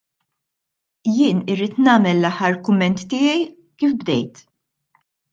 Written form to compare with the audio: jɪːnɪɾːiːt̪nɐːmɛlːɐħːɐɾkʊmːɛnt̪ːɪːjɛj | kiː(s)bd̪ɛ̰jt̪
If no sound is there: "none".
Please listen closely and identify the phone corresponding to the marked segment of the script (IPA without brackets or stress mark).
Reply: f